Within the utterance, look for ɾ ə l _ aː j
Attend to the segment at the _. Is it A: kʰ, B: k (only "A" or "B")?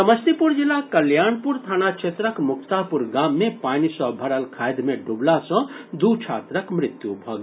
A